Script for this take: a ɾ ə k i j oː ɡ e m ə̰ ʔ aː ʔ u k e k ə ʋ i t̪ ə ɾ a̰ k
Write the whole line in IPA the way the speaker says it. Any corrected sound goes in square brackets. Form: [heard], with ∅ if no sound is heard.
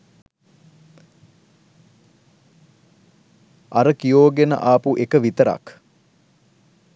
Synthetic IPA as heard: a ɾ ə k i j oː ɡ e [n] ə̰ ʔ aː [p] u [ʔ] e k ə ʋ i t̪ ə ɾ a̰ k